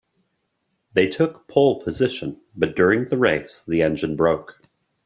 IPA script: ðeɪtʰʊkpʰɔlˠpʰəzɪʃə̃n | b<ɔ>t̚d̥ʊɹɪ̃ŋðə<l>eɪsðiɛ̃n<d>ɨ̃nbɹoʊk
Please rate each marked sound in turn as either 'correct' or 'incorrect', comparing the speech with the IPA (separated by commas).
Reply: incorrect, incorrect, incorrect